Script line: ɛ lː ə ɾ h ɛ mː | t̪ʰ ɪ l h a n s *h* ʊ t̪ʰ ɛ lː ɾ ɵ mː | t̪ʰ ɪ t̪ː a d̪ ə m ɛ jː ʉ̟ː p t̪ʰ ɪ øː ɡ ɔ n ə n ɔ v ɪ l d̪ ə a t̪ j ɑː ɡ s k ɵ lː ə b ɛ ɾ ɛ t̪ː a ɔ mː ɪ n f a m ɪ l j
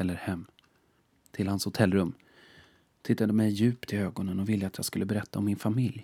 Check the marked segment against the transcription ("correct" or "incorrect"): correct